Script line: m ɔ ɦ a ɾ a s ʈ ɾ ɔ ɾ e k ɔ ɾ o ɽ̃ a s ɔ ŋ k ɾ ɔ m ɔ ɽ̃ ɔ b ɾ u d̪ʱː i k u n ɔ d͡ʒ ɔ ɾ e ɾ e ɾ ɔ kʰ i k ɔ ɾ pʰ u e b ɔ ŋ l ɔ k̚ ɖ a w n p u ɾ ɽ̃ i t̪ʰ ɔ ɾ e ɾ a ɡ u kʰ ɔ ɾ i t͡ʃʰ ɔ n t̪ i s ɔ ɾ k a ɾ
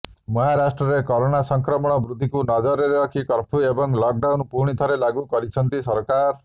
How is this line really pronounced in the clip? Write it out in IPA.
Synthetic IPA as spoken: m ɔ ɦ a ɾ a s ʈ ɾ ɔ ɾ e k ɔ ɾ o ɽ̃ a s ɔ ŋ k ɾ ɔ m ɔ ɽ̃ ɔ b ɾ u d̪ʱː i k u n ɔ d͡ʒ ɔ ɾ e ɾ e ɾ ɔ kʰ i k ɔ ɾ pʰ u e b ɔ ŋ l ɔ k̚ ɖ a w n p u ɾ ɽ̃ i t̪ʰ ɔ ɾ e l a ɡ u k ɔ ɾ i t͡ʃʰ ɔ n t̪ i s ɔ ɾ k a ɾ